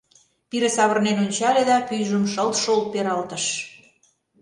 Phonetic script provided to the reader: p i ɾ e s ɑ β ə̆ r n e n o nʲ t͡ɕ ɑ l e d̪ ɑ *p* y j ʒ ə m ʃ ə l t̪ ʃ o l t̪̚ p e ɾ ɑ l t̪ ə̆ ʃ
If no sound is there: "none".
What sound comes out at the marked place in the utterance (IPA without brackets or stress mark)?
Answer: p